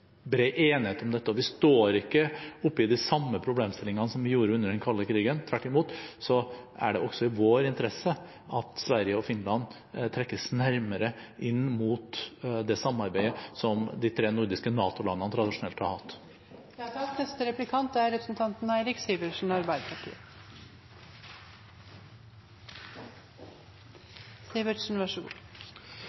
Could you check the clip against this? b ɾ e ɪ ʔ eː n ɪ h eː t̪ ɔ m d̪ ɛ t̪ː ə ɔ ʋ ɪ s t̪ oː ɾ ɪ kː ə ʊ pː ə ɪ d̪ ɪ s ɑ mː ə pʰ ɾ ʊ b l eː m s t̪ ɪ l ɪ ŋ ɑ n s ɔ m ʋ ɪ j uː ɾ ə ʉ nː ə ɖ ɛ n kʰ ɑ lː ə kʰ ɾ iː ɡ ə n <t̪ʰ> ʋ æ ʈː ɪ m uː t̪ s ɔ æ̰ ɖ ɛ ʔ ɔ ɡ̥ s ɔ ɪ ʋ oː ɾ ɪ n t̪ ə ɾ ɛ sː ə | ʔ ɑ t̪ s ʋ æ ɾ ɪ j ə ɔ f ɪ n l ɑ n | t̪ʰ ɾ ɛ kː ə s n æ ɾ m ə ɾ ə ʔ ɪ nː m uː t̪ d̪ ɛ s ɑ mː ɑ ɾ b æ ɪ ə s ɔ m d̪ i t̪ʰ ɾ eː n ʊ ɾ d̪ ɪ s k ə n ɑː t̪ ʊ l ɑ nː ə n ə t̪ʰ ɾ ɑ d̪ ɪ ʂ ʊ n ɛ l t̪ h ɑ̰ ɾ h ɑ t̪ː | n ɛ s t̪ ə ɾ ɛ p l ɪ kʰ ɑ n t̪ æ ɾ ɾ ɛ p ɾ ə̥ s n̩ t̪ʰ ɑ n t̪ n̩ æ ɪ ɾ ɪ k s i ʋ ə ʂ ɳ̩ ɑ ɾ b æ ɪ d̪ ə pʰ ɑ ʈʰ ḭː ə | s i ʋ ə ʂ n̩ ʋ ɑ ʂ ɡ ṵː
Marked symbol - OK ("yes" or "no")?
yes